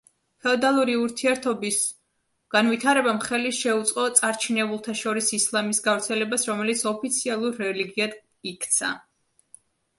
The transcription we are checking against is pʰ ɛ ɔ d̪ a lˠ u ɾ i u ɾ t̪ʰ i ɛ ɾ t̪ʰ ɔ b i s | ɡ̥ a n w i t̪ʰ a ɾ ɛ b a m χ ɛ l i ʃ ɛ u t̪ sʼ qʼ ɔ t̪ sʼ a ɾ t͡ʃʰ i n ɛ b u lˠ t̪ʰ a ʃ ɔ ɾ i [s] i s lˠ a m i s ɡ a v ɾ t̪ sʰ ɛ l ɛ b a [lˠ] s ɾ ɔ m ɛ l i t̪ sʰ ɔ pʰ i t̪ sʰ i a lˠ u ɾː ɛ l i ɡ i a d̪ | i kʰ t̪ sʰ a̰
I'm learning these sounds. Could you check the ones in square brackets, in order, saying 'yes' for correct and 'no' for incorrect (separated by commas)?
yes, no